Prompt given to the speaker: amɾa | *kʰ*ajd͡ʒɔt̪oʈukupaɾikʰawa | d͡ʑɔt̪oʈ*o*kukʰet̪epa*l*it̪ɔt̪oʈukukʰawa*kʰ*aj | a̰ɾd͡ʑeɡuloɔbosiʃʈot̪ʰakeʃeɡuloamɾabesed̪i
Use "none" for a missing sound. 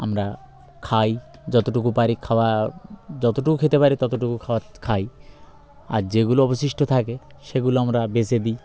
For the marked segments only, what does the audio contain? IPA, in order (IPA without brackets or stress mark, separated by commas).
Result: kʰ, u, ɾ, kʰ